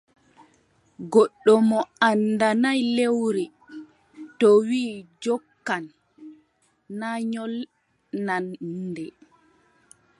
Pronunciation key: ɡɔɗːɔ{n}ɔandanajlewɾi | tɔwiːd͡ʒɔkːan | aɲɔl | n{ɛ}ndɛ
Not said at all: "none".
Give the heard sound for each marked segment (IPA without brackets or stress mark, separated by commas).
m, a